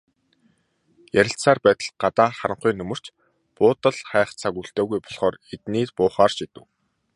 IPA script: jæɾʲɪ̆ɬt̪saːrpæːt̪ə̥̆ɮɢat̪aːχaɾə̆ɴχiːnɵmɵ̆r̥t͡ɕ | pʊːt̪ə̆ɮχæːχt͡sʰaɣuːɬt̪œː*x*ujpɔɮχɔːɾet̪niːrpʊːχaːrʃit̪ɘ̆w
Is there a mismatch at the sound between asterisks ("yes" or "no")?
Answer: yes